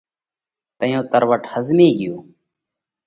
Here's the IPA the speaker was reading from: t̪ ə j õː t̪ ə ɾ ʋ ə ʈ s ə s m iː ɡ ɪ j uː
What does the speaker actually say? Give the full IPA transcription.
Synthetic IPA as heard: t̪ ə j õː t̪ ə ɾ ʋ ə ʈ h ə z m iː ɡ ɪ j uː